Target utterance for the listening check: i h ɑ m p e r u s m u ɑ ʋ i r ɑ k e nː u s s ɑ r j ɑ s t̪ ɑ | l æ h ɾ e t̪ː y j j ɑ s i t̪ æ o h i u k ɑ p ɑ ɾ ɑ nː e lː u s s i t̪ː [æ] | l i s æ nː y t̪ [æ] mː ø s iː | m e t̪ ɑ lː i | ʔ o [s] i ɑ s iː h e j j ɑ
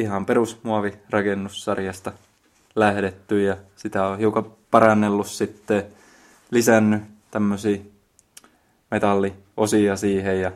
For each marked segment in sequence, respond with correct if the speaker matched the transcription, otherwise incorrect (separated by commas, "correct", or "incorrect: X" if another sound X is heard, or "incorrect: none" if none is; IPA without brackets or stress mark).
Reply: incorrect: e, correct, correct